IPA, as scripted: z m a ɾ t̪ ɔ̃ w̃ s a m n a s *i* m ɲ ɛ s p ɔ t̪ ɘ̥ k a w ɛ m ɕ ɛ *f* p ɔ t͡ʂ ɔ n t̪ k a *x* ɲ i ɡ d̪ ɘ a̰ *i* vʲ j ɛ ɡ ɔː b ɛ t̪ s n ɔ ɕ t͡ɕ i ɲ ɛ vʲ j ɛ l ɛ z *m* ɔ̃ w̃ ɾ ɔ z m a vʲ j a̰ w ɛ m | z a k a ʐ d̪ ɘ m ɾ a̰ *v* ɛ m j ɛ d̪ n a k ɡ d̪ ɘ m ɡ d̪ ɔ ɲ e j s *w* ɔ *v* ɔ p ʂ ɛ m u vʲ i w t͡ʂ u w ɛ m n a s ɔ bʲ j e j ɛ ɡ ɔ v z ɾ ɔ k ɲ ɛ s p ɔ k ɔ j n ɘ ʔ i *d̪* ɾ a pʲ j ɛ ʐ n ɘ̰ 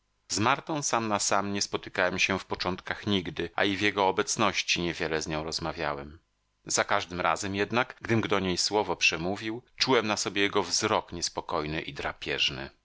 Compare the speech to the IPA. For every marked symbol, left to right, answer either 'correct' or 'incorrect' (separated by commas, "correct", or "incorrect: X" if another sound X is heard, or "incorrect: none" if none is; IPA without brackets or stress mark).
incorrect: a, correct, correct, correct, incorrect: ɲ, incorrect: z, correct, correct, correct